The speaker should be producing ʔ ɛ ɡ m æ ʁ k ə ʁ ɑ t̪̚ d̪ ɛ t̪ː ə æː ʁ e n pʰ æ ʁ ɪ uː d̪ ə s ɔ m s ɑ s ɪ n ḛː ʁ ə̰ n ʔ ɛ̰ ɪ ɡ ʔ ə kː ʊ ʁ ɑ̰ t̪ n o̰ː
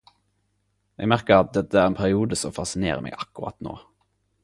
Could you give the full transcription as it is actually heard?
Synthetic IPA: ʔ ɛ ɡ m æ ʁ k ə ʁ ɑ t̪̚ d̪ ɛ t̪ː ə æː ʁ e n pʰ æ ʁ ɪ uː d̪ ə s ɔ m f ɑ s ɪ n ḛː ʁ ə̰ m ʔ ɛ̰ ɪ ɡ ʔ ɑ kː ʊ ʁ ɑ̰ t̪ n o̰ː